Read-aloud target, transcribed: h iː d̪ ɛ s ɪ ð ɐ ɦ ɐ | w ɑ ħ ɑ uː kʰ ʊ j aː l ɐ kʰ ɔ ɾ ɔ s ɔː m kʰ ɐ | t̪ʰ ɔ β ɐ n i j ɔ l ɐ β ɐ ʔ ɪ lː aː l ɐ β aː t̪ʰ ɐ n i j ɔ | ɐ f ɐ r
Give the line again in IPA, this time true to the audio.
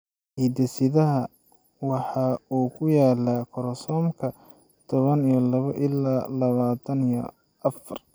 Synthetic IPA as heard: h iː d̪ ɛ s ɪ ð ɐ ɦ ɐ | w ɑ ħ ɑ uː kʰ ʊ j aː l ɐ kʰ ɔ ɾ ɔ s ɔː m kʰ ɐ | t̪ʰ ɔ β ɐ n i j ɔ l ɐ β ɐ ʔ ɪ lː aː l ɐ β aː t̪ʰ ɐ n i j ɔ | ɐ f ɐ r

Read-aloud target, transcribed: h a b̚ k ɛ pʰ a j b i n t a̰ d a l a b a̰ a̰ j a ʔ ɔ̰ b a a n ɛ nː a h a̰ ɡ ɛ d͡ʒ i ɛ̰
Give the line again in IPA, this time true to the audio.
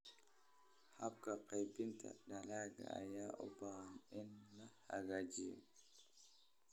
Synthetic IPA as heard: h a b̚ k a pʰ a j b i n t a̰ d a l a ɡ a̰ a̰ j a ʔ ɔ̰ b a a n ɛ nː a h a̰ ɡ a d͡ʒ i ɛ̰

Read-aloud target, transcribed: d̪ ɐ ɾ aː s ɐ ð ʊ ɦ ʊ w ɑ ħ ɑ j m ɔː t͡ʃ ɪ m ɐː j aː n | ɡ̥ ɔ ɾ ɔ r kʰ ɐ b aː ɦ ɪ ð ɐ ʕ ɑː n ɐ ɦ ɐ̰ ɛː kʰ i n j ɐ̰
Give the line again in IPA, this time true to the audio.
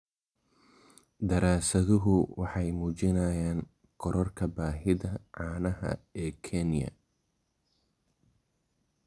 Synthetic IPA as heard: d̪ ɐ ɾ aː s ɐ ð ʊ ɦ ʊ w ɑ ħ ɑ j m uː t͡ʃ ɪ n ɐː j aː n | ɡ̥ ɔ ɾ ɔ r kʰ ɐ b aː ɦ ɪ ð ɐ ʕ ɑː n ɐ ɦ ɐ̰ ɛː kʰ ɛ n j ɐ̰

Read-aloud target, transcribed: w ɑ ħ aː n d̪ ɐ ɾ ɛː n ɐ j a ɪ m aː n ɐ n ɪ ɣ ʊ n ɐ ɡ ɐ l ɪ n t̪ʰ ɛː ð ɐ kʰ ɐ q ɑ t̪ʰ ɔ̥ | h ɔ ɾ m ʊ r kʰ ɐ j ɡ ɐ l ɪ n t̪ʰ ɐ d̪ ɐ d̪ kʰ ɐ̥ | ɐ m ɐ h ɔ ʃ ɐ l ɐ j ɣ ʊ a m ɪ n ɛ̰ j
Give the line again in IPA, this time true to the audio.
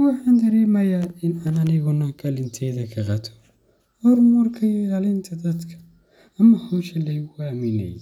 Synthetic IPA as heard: w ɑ ħ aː n d̪ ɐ ɾ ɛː m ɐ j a ɪ n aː n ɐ n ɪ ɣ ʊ n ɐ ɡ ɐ l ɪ n t̪ʰ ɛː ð ɐ kʰ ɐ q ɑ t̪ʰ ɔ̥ | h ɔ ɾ m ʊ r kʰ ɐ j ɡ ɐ l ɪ n t̪ʰ ɐ d̪ ɐ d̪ kʰ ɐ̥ | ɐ m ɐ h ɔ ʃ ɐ l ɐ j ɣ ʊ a m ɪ n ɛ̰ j

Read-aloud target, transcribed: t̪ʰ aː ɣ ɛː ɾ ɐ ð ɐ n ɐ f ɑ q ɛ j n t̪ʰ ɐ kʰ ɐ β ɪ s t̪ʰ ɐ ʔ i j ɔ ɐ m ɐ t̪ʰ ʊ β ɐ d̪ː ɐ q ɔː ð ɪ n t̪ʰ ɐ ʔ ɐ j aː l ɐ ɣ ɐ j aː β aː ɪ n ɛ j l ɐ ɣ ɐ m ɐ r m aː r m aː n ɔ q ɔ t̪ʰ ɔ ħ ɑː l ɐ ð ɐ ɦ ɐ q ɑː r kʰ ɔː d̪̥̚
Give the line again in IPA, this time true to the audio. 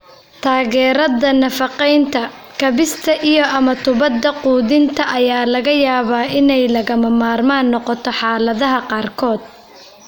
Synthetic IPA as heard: t̪ʰ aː ɣ ɛː ɾ ɐ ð ɐ n ɐ f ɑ q ɛ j n t̪ʰ ɐ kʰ ɐ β ɪ s t̪ʰ ɐ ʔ i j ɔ ɐ m ɐ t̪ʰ ʊ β ɐ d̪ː ɐ q uː ð ɪ n t̪ʰ ɐ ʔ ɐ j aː l ɐ ɣ ɐ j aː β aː ɪ n ɛ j l ɐ ɣ ɐ m ɐ m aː r m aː nː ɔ q ɔ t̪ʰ ɔ ħ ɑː l ɐ ð ɐ ɦ ɐ q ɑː r kʰ ɔː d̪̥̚

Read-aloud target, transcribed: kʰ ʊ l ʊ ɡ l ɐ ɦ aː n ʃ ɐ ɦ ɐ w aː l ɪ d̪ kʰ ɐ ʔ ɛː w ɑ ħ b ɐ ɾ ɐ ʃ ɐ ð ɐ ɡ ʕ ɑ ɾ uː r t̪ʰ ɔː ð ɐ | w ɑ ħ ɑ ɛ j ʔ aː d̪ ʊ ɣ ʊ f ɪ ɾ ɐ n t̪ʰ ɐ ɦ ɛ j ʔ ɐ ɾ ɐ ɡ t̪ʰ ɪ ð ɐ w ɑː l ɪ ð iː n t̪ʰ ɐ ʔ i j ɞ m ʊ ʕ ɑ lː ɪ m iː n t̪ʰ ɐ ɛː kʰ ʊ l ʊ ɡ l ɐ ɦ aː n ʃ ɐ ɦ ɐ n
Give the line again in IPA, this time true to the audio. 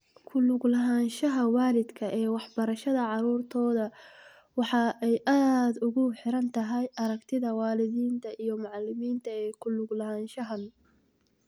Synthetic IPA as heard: kʰ ʊ l ʊ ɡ l ɐ ɦ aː n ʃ ɐ ɦ ɐ w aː l ɪ d̪ kʰ ɐ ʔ ɛː w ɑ ħ b ɐ ɾ ɐ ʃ ɐ ð ɐ ʕ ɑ ɾ uː r t̪ʰ ɔː ð ɐ | w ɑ ħ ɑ ɛ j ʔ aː d̪ ʊ ɣ ʊ ħ ɪ ɾ ɐ n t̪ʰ ɐ ɦ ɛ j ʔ ɐ ɾ ɐ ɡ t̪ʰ ɪ ð ɐ w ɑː l ɪ ð iː n t̪ʰ ɐ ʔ i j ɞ m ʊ ʕ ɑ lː ɪ m iː n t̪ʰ ɐ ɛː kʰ ʊ l ʊ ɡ l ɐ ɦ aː n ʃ ɐ ɦ ɐ n

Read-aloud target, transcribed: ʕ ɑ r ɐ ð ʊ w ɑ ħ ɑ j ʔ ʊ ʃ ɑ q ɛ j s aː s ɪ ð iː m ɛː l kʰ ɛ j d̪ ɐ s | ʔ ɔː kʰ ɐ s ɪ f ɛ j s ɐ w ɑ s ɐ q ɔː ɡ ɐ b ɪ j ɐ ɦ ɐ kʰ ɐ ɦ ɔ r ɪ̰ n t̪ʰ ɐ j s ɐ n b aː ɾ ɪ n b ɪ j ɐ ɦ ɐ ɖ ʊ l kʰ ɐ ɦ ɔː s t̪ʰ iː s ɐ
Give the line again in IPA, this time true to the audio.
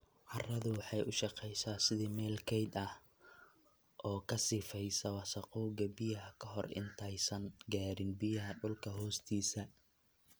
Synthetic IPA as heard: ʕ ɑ r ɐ ð ʊ w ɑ ħ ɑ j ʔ ʊ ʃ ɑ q ɛ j s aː s ɪ ð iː m ɛː l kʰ ɛ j d̪ ɐ h | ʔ ɔː kʰ ɐ s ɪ f ɛ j s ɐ w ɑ s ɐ q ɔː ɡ ɐ b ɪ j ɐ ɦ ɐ kʰ ɐ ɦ ɔ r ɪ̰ n t̪ʰ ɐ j s ɐ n ɡ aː ɾ ɪ n b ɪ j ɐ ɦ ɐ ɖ ʊ l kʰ ɐ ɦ ɔː s t̪ʰ iː s ɐ

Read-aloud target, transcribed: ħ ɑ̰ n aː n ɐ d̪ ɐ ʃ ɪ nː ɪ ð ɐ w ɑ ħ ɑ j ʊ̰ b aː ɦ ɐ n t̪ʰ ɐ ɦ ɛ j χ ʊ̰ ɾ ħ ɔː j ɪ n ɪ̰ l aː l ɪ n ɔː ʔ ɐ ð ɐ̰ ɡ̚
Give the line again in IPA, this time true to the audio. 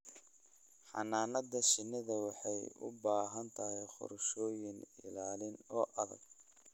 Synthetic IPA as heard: ħ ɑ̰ n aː n ɐ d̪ ɐ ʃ ɪ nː ɪ ð ɐ w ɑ ħ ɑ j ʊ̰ b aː ɦ ɐ n t̪ʰ ɐ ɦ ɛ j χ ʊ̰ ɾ ʃ ɔː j ɪ n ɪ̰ l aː l ɪ n ɔː ʔ ɐ ð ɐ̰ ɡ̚

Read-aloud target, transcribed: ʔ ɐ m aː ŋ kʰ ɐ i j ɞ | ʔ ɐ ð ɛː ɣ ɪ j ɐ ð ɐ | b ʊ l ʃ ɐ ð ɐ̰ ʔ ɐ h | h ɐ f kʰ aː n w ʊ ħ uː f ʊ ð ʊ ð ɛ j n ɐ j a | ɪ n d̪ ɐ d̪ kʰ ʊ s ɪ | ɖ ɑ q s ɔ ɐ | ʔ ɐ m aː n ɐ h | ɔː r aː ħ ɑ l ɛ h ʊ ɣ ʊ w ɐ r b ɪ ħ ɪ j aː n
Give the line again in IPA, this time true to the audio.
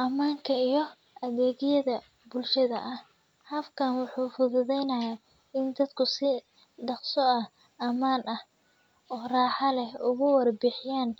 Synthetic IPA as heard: ʔ ɐ m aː ŋ kʰ ɐ i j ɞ | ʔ ɐ ð ɛː ɣ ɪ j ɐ ð ɐ | b ʊ l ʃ ɐ ð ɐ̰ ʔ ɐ h | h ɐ f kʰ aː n w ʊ ħ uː f ʊ ð ʊ ð ɛ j n ɐ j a | ɪ n d̪ ɐ d̪ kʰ ʊ s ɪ | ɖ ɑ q s ɔ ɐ | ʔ ɐ m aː n ɐ h | ɔː r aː ħ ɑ l ɛ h ʊ ɣ ʊ w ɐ r b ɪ ħ ɪ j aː n

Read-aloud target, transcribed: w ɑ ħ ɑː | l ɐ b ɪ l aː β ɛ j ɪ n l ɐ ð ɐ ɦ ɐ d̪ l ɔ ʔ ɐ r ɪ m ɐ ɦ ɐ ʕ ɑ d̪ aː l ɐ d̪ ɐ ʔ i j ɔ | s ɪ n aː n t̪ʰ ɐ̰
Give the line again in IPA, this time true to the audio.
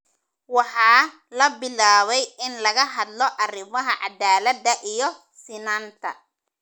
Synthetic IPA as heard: w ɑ ħ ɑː | l ɐ b ɪ l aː β ɛ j ɪ n l ɐ ɣ ɐ ɦ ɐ d̪ l ɔ ʔ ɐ r ɪ m ɐ ɦ ɐ ʕ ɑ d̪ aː l ɐ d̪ ɐ ʔ i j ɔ | s ɪ n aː n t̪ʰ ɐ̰

